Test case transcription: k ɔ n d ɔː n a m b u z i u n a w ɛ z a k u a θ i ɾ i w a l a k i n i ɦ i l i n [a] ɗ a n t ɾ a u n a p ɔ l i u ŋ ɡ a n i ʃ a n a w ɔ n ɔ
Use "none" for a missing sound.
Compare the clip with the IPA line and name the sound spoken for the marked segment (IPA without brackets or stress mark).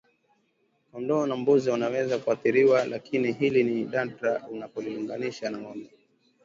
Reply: i